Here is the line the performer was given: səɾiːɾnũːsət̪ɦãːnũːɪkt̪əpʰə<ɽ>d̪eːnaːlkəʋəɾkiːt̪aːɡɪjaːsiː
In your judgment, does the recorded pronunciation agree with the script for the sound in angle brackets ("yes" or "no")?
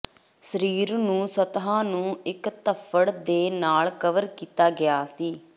yes